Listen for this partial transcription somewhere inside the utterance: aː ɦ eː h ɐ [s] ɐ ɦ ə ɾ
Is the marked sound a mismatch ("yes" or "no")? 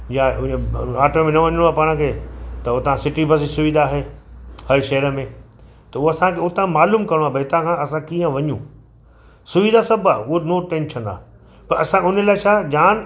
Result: yes